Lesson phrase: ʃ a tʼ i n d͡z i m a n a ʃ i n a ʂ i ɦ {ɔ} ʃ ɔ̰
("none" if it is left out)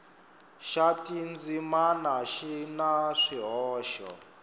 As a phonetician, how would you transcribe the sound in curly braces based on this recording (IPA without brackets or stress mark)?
ɔː